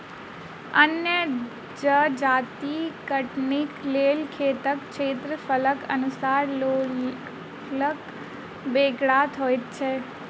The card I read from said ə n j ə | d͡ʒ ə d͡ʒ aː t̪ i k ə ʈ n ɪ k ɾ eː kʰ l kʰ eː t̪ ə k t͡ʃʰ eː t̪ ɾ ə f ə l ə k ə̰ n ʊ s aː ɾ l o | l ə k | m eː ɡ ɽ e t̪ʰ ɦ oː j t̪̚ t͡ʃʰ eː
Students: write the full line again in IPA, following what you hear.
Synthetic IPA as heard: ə n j ə | d͡ʒ ə d͡ʒ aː t̪ i k ə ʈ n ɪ k l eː l kʰ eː t̪ ə k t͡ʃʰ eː t̪ ɾ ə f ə l ə k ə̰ n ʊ s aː ɾ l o | l ə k | b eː ɡ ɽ a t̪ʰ ɦ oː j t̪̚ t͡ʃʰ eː

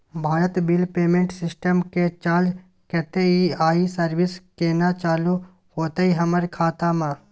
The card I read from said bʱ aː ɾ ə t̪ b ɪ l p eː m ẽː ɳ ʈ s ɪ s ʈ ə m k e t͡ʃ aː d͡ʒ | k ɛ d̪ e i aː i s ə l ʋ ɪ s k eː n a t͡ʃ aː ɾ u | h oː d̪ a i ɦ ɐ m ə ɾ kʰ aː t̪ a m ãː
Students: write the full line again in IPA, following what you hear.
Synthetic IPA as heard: bʱ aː ɾ ə t̪ b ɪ l p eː m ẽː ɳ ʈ s ɪ s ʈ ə m k e t͡ʃ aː d͡ʒ | k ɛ t̪ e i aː i s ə ɾ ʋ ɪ s k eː n a t͡ʃ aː l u | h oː t̪ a i ɦ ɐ m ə ɾ kʰ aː t̪ a m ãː

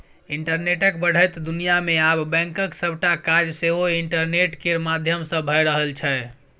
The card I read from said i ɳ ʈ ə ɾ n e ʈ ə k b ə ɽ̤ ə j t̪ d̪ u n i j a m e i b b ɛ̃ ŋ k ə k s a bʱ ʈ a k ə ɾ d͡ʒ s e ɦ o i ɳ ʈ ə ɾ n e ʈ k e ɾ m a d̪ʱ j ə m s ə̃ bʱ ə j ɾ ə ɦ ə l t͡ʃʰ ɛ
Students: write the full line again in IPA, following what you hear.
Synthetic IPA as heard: i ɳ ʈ ə ɾ n e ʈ ə k b ə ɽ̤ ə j t̪ d̪ u n i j a m e a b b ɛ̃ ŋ k ə k s ə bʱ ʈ a k a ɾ d͡ʒ s e ɦ o i ɳ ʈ ə ɾ n e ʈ k e ɾ m a d̪ʱ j ə m s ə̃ bʱ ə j ɾ ə ɦ ə l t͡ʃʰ ɛ

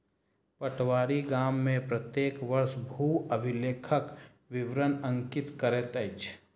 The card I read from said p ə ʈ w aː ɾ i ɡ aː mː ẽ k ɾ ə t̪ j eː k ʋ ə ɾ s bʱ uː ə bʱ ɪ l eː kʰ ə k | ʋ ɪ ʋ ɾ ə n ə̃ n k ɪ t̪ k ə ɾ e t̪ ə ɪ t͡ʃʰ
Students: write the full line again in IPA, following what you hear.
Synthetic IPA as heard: p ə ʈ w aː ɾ i ɡ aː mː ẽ p ɾ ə t̪ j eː k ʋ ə ɾ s bʱ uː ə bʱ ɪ l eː kʰ ə k | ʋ ɪ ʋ ɾ ə n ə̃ ŋ k ɪ t̪ k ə ɾ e t̪ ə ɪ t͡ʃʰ

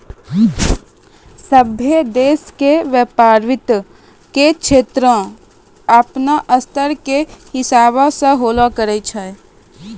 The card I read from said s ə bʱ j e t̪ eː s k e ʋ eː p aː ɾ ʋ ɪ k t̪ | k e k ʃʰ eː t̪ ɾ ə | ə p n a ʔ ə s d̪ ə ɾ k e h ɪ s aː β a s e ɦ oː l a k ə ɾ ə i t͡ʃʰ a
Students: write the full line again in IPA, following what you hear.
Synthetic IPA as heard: s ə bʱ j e d̪ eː s k e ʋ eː p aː ɾ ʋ ɪ t̪ | k e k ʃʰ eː t̪ ɾ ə | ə p n a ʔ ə s t̪ ə ɾ k e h ɪ s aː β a s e ɦ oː l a k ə ɾ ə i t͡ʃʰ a

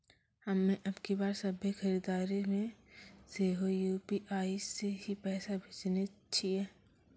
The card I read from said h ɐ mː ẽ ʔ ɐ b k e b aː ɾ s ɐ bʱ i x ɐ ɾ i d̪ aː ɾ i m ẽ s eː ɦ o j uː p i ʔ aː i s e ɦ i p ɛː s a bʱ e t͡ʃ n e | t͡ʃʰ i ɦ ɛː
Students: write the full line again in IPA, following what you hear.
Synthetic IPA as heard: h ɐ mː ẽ ʔ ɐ b k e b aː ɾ s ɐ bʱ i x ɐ ɾ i d̪ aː ɾ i m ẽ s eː ɦ o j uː p i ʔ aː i s e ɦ i p ɛː s a bʱ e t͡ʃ n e | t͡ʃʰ i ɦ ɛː

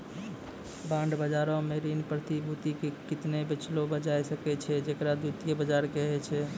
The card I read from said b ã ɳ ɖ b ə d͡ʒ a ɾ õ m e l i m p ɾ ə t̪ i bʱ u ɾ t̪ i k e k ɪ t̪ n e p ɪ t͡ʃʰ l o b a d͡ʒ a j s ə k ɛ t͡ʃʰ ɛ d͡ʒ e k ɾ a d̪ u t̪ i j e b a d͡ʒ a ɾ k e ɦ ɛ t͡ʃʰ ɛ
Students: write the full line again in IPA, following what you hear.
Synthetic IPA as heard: b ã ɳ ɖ b ə d͡ʒ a ɾ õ m e ɾ i n p ɾ ə t̪ i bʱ u t̪ i k e k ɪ t̪ n e b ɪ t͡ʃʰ l o b ə d͡ʒ a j s ə k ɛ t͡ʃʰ ɛ d͡ʒ e k ɾ a d̪ u t̪ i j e b ə d͡ʒ a ɾ k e ɦ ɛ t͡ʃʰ ɛ

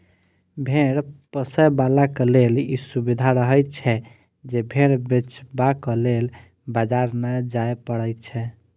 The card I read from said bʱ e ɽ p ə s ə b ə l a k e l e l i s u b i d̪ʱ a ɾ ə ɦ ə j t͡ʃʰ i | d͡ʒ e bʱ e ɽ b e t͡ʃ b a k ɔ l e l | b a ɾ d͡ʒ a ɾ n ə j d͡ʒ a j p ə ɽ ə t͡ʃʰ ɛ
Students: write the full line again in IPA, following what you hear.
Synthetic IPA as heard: bʱ e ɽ p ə s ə b a l a k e l e l i s u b i d̪ʱ a ɾ ə ɦ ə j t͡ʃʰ ɛ | d͡ʒ e bʱ e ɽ b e t͡ʃ b a k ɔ l e l | b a d͡ʒ a ɾ n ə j d͡ʒ a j p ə ɽ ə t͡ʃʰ ɛ

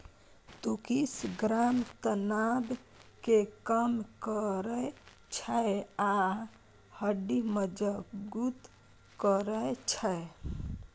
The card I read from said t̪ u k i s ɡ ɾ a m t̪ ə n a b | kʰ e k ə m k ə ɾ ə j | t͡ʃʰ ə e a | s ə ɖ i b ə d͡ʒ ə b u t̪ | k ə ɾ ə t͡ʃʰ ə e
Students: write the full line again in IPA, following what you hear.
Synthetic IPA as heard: t̪ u k i s ɡ ɾ a m t̪ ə n a b | k e k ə m k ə ɾ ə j | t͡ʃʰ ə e a | h ə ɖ i m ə d͡ʒ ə ɡ u t̪ | k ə ɾ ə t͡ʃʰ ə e

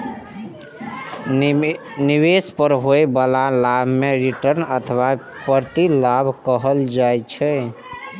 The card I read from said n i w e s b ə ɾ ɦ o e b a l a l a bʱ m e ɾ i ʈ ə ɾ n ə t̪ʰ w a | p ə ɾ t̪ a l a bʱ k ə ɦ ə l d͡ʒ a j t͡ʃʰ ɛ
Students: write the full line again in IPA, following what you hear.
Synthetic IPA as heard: n i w e s p ə ɾ ɦ o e b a l a l a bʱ m e ɾ i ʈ ə ɾ n ə t̪ʰ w a | p ə ɾ t̪ i l a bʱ k ə ɦ ə l d͡ʒ a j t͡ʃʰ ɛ

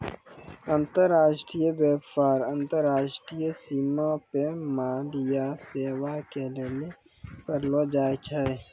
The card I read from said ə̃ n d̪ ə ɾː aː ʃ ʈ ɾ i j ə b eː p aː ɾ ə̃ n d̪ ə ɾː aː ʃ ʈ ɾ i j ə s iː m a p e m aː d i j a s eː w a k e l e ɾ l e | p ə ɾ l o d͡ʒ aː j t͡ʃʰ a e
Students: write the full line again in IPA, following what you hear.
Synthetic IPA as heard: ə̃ n t̪ ə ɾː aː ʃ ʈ ɾ i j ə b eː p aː ɾ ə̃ n t̪ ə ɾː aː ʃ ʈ ɾ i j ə s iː m a p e m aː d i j a s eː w a k e l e l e | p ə ɾ l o d͡ʒ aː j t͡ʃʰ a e

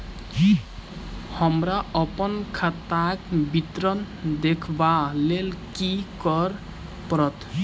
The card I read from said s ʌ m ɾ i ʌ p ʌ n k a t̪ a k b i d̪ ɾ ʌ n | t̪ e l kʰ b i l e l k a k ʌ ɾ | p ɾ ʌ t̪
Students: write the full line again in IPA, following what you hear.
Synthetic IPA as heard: h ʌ m ɾ a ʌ p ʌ n kʰ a t̪ a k b i t̪ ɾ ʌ n | d̪ e kʰ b a l e l k i k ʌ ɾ | p ɾ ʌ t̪

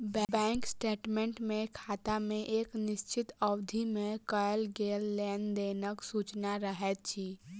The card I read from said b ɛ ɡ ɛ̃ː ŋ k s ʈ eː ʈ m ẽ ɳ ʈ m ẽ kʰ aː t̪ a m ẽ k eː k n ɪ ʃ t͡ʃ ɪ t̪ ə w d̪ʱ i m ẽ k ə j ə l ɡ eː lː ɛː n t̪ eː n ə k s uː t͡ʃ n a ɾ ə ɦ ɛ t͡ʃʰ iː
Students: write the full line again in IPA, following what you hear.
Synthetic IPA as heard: b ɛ b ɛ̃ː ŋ k s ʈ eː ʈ m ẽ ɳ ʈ m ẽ kʰ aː t̪ a m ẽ ʔ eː k n ɪ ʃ t͡ʃ ɪ t̪ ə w d̪ʱ i m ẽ k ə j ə l ɡ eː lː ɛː n d̪ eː n ə k s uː t͡ʃ n a ɾ ə ɦ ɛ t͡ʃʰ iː

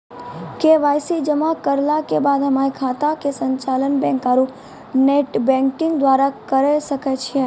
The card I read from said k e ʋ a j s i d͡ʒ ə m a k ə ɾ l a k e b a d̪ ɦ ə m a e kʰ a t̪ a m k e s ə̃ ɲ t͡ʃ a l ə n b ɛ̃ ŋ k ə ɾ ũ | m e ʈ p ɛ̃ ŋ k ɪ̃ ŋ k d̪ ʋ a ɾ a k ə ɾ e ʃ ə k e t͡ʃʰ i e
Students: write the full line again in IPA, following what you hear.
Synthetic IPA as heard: k e ʋ a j s i d͡ʒ ə m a k ə ɾ l a k e b a d̪ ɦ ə m a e kʰ a t̪ a k e s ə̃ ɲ t͡ʃ a l ə n b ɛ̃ ŋ k a ɾ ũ | n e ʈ b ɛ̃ ŋ k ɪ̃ ŋ ɡ d̪ ʋ a ɾ a k ə ɾ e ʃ ə k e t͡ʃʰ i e

